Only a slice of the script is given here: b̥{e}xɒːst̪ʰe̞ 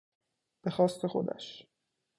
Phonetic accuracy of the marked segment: correct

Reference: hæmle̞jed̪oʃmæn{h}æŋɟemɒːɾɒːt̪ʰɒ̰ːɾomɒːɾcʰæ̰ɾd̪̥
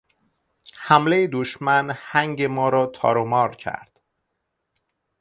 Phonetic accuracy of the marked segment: correct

